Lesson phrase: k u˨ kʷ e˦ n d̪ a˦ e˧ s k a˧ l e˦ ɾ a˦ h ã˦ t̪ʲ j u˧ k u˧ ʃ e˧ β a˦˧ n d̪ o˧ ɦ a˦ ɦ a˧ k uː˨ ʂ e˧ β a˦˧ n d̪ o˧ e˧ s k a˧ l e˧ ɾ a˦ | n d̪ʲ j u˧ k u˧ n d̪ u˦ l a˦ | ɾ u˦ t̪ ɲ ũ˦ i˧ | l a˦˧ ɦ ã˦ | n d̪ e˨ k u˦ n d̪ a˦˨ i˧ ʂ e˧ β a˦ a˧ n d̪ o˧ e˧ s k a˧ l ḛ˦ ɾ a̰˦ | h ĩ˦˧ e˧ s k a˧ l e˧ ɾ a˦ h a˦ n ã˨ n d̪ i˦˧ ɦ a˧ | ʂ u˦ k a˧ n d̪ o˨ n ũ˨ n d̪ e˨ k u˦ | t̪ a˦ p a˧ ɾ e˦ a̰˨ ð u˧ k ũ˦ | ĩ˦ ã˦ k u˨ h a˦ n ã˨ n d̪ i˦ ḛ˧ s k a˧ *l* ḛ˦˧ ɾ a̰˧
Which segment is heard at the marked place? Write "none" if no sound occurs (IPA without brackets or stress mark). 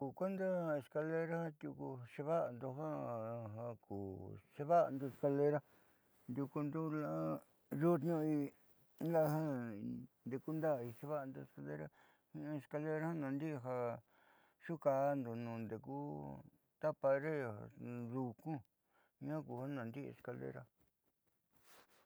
l